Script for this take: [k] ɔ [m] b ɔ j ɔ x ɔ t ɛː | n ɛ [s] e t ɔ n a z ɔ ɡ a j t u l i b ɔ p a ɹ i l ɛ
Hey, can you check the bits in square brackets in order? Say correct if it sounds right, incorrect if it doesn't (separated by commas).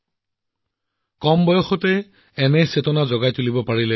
correct, correct, correct